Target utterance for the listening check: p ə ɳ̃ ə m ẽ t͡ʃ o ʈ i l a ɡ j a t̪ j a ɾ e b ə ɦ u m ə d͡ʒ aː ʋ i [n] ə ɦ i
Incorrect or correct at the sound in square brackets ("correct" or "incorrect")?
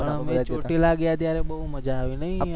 correct